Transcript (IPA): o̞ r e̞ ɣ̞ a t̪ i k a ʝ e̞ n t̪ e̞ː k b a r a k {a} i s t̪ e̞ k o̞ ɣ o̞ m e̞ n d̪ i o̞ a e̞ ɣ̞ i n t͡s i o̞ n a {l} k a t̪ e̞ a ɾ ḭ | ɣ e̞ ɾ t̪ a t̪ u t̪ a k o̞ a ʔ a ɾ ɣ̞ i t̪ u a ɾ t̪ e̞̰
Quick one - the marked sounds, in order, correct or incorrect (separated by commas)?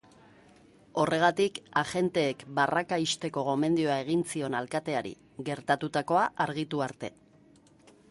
correct, correct